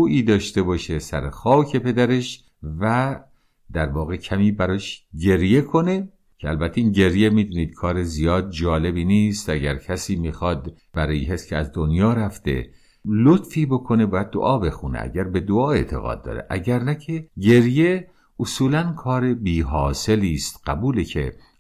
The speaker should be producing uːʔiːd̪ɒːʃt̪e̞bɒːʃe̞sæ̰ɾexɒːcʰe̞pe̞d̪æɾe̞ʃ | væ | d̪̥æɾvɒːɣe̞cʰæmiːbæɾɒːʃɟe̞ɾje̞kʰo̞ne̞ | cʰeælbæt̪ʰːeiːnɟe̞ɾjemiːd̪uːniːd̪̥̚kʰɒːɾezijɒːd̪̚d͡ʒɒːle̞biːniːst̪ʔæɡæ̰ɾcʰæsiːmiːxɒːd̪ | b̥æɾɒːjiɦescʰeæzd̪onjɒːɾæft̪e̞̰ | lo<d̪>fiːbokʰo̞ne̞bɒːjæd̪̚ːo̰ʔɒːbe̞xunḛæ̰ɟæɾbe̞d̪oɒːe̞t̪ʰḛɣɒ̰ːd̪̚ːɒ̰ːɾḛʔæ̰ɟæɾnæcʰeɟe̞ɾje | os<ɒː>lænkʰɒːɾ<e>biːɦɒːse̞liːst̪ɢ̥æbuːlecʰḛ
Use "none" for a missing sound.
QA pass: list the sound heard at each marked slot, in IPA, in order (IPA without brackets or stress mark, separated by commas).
t̪, uː, e